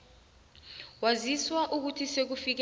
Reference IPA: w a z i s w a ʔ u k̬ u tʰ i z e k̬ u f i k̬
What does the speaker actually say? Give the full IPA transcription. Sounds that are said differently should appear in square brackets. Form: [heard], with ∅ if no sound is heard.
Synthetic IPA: w a z i s w a ʔ u k̬ u tʰ i [s] e k̬ u f i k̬